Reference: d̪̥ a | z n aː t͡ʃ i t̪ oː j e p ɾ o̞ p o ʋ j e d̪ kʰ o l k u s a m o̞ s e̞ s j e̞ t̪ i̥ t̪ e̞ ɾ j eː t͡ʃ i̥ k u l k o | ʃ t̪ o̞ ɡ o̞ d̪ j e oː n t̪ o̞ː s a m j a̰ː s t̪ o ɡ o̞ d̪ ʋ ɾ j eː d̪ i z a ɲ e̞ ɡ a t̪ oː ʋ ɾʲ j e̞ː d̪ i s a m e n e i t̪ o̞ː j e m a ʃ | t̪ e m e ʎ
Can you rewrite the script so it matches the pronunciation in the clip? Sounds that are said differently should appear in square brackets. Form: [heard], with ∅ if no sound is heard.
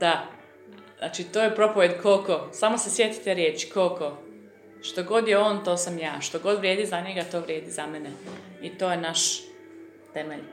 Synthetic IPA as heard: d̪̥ a | z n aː t͡ʃ i t̪ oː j e p ɾ o̞ p o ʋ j e d̪ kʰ o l k [o] s a m o̞ s e̞ s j e̞ t̪ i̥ t̪ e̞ ɾ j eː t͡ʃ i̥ k [o] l k o | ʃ t̪ o̞ ɡ o̞ d̪ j e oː n t̪ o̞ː s a m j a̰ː [ʃ] t̪ o ɡ o̞ d̪ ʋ ɾ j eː d̪ i z a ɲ e̞ ɡ a t̪ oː ʋ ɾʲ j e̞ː d̪ i [z] a m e n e i t̪ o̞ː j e [n] a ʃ | t̪ e m e ʎ